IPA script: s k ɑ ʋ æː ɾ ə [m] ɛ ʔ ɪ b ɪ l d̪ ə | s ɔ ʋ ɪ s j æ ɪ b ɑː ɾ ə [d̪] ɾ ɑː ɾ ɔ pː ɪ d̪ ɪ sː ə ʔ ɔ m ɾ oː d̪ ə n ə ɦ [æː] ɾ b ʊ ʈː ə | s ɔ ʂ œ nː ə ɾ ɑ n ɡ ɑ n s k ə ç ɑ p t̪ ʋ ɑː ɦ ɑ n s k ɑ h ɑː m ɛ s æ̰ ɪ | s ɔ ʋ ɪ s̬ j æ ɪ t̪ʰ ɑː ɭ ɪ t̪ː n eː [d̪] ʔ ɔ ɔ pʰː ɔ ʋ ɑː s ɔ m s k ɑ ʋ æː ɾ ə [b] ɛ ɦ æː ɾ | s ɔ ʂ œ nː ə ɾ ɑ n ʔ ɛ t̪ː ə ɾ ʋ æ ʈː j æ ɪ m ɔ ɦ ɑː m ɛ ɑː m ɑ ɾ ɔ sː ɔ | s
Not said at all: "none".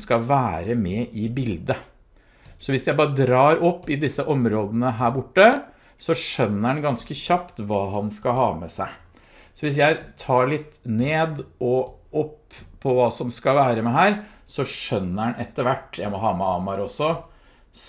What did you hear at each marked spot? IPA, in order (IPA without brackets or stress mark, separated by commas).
m, d̪, æː, d̪, m